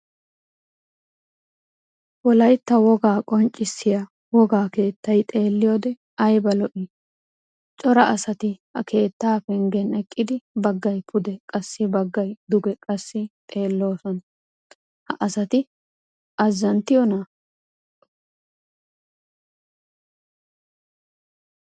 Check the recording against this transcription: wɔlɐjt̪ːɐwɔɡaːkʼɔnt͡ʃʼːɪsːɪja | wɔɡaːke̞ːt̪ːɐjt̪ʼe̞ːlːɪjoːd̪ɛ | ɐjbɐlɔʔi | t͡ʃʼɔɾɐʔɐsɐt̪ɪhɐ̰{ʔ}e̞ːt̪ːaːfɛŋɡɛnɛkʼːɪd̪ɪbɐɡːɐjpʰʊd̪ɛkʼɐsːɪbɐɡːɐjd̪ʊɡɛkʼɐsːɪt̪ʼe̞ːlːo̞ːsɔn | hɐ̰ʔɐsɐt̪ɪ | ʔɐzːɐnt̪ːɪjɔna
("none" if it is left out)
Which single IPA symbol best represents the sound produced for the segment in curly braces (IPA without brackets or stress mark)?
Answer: k